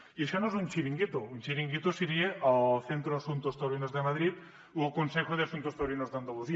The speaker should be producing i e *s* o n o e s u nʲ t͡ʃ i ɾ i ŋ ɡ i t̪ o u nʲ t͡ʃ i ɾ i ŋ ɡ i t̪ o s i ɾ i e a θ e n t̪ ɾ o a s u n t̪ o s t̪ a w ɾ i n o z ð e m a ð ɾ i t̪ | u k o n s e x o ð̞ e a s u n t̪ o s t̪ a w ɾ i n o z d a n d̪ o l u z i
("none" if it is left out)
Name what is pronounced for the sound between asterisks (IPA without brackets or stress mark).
ʃ